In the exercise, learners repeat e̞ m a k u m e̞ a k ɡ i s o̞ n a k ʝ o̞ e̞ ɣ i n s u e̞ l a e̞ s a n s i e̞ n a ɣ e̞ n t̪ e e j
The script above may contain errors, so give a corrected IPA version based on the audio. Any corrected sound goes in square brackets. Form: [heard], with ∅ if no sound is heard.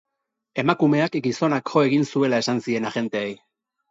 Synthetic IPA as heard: e̞ m a k u m e̞ a k ɡ i s o̞ n a k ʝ o̞ e̞ ɣ i n s u e̞ l a e̞ s a n s i e̞ n a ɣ e̞ n t̪ e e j